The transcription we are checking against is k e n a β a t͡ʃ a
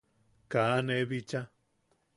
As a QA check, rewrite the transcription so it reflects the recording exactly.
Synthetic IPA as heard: k a n e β i t͡ʃ a